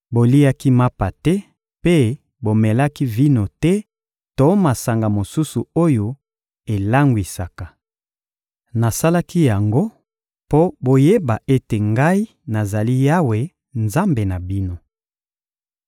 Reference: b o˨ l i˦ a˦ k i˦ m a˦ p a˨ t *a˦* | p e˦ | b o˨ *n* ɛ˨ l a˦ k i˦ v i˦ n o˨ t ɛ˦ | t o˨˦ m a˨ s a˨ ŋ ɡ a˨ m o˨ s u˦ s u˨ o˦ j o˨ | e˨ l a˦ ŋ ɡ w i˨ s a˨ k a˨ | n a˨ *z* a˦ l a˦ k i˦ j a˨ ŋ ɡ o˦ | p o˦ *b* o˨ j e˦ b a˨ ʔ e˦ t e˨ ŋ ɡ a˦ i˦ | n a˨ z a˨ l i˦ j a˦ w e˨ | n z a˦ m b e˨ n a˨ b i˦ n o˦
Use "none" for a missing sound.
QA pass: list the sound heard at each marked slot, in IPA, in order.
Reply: ɛ˦, m, s, b

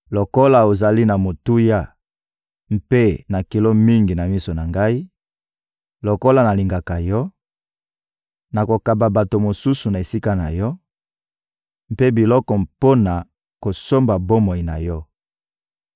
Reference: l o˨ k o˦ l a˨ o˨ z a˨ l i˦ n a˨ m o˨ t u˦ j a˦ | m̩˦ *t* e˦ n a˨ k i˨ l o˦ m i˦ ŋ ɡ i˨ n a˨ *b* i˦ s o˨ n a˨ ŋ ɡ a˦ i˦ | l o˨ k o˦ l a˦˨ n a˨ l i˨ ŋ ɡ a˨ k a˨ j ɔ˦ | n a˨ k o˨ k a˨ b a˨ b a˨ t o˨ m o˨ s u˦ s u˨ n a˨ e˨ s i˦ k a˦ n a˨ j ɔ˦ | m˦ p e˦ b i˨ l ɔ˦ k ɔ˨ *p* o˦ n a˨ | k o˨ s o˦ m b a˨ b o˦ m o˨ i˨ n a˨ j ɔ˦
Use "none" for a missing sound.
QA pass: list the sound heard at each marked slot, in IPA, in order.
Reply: p, m, p

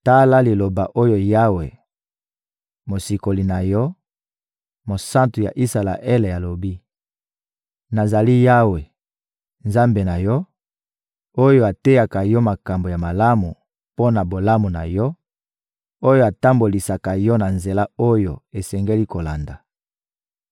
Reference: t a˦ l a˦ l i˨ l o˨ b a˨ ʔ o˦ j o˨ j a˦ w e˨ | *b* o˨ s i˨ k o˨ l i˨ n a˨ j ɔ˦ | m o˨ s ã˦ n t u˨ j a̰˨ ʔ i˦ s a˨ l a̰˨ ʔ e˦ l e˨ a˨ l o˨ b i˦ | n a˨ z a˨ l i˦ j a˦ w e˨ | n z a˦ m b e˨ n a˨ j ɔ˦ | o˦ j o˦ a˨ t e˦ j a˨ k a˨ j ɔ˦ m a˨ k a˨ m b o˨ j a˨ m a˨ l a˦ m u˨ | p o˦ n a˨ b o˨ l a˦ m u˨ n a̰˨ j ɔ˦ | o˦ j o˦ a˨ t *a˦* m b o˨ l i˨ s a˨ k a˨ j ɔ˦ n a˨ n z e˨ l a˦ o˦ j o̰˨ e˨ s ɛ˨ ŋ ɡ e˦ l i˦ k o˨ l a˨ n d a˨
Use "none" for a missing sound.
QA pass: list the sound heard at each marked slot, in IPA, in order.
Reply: m, a˦

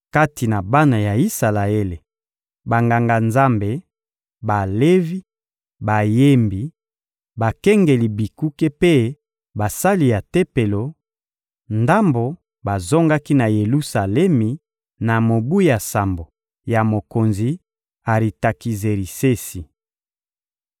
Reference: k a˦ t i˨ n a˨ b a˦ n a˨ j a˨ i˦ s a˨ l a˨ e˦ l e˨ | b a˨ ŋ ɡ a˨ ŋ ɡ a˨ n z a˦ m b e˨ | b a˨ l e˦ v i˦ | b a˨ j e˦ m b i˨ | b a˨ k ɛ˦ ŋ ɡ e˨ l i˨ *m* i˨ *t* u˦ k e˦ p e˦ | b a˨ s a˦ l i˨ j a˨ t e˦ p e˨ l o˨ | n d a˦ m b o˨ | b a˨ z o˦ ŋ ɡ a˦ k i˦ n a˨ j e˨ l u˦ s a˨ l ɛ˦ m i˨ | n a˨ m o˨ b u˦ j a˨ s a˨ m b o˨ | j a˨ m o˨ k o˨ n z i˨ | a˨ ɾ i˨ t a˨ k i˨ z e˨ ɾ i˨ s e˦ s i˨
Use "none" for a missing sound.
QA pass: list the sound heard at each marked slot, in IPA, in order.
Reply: b, k

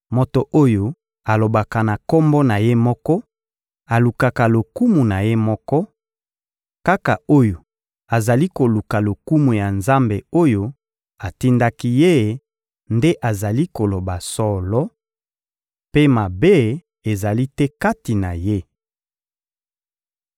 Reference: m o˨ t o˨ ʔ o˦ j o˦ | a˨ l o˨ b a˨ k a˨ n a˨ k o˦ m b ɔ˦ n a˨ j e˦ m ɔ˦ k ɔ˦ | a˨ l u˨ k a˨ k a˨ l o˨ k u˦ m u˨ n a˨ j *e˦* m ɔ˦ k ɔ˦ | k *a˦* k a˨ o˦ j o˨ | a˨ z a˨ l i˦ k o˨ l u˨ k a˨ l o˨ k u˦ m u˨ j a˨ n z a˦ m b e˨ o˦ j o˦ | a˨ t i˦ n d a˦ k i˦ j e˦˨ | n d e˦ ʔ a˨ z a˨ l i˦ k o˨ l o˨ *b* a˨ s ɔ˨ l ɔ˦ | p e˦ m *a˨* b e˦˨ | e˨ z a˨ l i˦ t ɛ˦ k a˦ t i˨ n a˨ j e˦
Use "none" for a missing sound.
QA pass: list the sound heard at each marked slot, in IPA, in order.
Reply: e˦, a˦, b, a˨

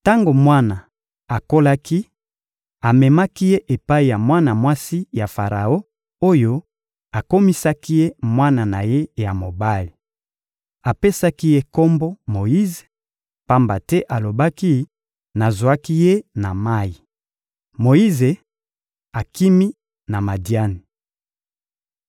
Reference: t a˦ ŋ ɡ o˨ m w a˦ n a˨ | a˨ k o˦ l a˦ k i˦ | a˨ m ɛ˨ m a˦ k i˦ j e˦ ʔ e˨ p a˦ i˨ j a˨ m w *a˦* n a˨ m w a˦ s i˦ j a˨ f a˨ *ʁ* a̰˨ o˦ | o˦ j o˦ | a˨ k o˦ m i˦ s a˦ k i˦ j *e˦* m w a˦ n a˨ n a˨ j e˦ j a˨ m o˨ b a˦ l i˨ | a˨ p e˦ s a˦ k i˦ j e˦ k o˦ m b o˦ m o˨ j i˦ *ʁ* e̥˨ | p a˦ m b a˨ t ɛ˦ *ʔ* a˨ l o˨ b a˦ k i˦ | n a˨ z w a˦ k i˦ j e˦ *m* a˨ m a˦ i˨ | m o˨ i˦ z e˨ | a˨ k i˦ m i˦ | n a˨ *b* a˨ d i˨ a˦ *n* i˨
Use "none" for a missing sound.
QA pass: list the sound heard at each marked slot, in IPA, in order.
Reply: a˦, ʁ, e˦, z, ʔ, n, m, n

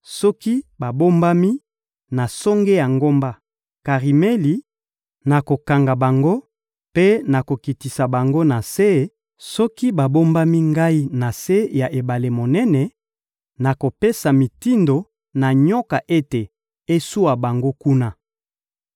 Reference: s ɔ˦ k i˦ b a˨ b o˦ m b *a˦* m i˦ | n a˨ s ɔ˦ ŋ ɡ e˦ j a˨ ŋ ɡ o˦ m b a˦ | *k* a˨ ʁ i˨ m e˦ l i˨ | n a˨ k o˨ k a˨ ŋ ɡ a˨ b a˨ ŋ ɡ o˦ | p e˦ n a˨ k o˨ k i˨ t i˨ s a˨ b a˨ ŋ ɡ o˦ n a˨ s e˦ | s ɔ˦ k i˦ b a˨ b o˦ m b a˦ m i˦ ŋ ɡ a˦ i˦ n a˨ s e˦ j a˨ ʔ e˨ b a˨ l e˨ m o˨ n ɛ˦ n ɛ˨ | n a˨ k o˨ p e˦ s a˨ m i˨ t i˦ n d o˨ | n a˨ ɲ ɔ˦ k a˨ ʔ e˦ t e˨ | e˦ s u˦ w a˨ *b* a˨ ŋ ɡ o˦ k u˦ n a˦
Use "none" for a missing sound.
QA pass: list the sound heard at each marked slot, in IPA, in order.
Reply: a˦, k, b

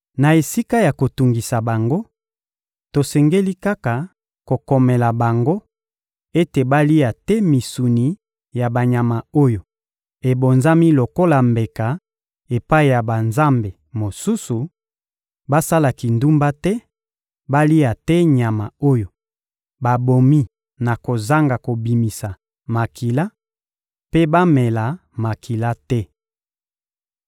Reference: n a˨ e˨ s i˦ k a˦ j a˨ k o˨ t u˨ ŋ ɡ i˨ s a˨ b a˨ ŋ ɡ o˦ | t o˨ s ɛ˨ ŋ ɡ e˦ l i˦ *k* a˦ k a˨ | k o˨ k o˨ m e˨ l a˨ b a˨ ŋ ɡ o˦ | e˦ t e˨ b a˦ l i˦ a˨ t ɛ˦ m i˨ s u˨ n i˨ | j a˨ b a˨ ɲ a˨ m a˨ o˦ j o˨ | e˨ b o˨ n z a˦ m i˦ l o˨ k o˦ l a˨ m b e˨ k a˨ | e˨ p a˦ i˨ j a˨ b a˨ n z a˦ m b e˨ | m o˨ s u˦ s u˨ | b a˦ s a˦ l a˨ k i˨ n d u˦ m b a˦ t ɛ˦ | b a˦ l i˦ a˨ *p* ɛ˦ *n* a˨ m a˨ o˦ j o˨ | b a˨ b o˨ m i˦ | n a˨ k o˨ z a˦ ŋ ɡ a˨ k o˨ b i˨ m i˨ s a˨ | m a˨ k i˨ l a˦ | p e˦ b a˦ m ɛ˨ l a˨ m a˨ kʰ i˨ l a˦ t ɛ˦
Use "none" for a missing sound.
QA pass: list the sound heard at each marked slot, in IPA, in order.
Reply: k, t, ɲ

